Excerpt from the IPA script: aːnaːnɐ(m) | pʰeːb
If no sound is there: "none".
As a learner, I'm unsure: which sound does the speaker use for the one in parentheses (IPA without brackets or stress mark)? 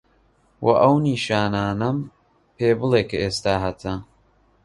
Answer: m